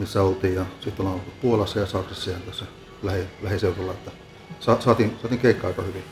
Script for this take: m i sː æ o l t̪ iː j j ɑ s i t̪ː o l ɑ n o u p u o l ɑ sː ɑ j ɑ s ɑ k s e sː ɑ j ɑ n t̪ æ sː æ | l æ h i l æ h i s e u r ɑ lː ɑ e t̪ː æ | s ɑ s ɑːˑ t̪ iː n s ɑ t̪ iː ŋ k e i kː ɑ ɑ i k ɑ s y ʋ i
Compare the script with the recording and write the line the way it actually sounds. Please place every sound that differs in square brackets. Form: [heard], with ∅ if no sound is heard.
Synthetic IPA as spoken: m i sː æ o l t̪ iː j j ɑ s i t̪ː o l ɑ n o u p u o l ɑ sː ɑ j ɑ s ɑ k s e sː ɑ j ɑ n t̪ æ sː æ | l æ h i l æ h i s e u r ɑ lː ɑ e t̪ː æ | s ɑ s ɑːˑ t̪ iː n s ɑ t̪ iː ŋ k e i kː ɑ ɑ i k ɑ [h] y ʋ i